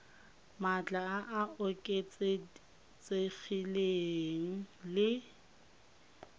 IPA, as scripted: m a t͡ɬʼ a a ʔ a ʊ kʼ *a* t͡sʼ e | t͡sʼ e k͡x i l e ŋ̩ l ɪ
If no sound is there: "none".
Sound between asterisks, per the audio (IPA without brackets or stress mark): e